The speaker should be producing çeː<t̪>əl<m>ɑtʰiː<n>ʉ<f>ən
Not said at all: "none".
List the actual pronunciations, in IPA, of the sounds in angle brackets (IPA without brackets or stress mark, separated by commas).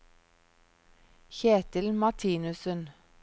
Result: t̪, m, n, s